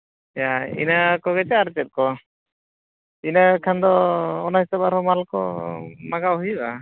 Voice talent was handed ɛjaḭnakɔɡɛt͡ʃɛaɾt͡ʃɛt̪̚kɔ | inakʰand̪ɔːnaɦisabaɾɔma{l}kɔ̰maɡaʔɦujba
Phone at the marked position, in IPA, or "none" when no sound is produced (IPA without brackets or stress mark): l